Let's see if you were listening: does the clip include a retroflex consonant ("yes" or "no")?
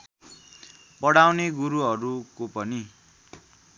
yes